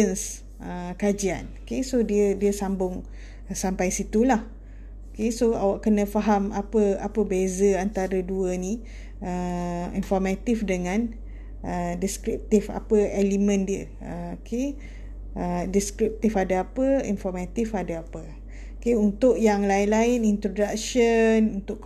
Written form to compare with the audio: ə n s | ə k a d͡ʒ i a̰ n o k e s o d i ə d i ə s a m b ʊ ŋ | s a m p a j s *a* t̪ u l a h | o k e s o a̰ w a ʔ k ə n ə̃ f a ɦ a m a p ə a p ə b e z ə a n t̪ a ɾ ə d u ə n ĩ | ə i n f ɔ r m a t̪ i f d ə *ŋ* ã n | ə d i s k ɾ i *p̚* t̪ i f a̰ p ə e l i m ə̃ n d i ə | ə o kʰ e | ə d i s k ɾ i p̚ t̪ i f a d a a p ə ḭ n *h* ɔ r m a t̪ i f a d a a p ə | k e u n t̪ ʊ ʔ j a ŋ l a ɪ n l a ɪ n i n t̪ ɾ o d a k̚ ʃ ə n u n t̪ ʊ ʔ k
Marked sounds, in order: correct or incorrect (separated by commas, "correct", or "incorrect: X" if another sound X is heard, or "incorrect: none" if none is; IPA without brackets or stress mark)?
incorrect: i, correct, correct, incorrect: f